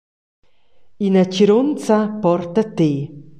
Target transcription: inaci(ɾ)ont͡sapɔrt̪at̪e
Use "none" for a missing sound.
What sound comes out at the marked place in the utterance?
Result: ɾ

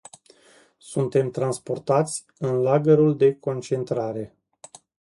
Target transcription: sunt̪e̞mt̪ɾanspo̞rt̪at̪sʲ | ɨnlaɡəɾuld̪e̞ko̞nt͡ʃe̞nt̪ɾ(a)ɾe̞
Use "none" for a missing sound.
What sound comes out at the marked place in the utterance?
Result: a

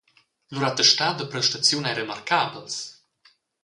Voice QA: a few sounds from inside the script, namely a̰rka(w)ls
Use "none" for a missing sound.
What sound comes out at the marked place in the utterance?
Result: b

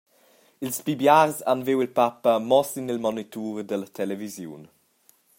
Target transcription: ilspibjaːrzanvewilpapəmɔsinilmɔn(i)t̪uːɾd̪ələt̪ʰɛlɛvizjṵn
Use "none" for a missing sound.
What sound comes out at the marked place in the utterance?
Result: i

